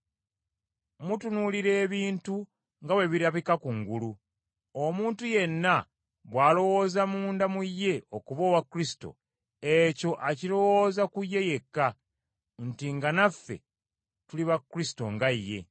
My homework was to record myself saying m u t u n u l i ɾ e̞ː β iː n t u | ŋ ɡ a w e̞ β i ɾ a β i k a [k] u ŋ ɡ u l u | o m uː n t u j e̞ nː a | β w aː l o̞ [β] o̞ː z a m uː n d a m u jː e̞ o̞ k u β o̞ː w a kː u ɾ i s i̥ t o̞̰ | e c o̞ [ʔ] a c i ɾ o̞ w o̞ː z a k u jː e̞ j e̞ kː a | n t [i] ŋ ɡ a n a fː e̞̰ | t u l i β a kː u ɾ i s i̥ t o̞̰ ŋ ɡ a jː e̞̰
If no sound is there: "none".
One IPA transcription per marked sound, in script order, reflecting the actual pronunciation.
k, w, ʔ, i

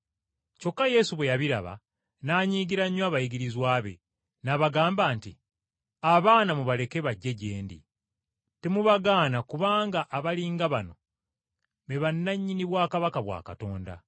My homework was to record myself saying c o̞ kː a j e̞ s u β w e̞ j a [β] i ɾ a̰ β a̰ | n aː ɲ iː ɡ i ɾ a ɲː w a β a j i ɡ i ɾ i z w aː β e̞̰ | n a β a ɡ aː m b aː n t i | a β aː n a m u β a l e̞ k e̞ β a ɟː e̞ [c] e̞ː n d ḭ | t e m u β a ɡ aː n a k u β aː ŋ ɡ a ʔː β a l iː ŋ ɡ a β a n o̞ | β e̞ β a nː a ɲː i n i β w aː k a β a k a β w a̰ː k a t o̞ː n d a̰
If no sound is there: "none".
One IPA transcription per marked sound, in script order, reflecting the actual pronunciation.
β, ɟ

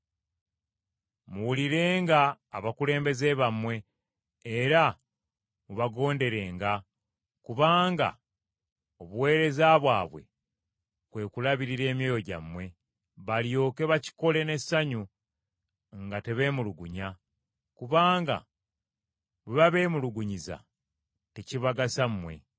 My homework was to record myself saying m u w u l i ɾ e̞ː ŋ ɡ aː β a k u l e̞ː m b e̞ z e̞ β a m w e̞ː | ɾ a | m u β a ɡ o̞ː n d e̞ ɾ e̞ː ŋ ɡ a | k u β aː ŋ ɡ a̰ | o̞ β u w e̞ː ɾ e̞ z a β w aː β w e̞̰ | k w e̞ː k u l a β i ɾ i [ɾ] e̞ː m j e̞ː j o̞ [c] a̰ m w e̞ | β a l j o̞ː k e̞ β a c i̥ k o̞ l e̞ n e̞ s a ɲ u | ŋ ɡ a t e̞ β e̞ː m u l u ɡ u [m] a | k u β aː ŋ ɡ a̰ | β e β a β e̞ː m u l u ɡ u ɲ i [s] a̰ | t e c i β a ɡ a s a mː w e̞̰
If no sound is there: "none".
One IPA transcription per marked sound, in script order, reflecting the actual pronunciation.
ɾ, ɟ, ɲ, z

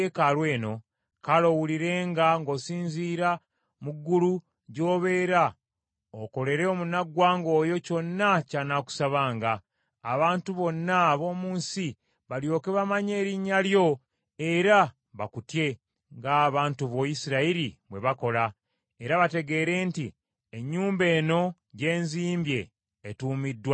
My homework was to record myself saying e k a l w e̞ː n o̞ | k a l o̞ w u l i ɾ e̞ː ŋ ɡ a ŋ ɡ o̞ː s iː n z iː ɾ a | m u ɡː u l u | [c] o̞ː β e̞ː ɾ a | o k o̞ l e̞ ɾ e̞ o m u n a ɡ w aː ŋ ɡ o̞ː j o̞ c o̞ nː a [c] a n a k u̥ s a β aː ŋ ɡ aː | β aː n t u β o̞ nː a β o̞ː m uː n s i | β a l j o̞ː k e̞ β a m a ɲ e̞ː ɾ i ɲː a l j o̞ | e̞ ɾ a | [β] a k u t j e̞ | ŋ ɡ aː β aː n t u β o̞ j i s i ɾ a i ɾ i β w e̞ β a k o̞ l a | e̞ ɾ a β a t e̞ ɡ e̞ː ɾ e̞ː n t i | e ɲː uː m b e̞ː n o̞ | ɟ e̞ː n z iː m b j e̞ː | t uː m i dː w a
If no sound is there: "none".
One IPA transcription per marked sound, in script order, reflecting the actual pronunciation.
ɟ, c, β

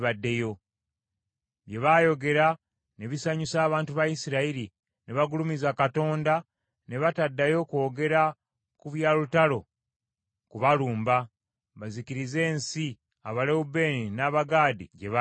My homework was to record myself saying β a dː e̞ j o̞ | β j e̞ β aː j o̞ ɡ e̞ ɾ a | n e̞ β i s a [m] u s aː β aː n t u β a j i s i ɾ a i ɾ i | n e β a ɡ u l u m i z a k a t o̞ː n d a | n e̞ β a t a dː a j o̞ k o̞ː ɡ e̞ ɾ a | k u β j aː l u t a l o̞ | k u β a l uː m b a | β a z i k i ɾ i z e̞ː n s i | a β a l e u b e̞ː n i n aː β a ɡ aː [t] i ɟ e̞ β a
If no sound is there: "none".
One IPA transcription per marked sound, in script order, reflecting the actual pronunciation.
ɲ, d

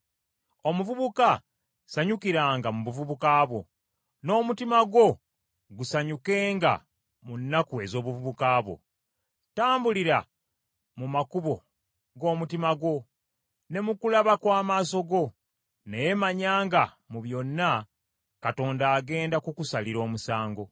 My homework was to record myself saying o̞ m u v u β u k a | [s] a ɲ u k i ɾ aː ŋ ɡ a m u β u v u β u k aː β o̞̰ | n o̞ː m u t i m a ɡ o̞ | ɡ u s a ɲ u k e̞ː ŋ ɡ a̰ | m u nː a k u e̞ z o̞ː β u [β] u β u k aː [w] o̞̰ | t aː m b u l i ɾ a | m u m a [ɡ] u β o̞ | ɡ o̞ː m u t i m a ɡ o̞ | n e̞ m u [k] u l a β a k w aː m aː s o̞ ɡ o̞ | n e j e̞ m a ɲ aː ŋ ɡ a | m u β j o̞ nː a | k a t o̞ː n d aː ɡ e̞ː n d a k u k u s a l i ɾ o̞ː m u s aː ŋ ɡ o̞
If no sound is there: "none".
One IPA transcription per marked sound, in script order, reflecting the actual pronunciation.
s, v, β, k, k

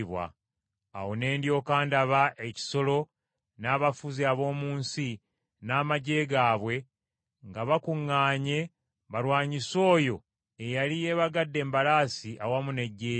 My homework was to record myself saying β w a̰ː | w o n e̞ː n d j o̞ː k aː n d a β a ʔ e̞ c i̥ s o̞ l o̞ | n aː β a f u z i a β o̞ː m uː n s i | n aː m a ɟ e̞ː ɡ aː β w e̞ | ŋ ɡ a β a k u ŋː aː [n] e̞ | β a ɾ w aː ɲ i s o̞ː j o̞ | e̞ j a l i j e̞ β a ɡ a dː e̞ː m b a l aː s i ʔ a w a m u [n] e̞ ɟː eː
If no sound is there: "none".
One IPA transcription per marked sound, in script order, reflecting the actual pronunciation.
ɲ, n

